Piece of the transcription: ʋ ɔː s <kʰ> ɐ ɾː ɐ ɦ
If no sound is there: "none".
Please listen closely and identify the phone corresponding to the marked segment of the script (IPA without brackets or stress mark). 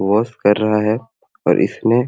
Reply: k